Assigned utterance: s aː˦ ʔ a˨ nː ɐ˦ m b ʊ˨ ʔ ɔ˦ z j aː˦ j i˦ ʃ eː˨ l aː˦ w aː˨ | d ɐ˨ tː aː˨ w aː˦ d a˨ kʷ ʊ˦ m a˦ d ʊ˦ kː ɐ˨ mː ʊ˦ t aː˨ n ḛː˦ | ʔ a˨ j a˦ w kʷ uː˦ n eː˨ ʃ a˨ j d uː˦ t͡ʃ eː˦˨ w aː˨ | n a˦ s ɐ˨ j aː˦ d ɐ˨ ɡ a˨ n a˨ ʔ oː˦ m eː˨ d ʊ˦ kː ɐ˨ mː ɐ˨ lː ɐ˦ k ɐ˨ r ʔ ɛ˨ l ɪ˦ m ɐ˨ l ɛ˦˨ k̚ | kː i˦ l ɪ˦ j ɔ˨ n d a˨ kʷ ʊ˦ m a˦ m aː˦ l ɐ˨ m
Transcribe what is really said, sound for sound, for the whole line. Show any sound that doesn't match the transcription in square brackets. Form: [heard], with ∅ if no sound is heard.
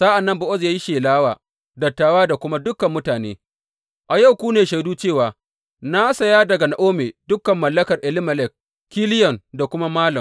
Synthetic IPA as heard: s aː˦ ʔ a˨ nː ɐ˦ m b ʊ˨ ʔ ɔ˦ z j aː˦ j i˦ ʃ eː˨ l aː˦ w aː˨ | d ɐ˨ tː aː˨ w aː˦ d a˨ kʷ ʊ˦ m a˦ d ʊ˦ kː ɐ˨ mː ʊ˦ t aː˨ n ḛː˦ | ʔ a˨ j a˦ w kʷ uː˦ n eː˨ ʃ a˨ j d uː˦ t͡ʃ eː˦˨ w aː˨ | n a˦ s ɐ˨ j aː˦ d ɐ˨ ɡ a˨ n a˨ ʔ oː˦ m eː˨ d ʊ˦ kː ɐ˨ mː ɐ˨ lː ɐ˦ k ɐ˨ r ʔ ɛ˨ l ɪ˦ m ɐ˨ l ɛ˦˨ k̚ | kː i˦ l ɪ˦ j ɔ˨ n d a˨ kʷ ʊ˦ m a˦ m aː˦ l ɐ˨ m